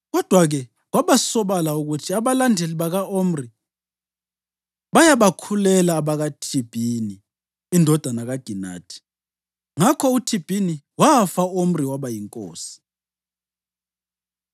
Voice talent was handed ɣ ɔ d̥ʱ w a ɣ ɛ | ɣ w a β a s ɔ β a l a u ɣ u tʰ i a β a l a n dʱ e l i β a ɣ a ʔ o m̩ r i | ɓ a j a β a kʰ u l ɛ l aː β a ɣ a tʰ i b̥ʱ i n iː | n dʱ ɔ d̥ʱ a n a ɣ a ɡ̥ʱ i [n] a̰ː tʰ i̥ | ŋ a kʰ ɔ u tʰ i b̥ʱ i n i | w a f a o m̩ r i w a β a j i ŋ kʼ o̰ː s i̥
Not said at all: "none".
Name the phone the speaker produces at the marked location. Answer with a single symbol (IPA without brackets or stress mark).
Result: n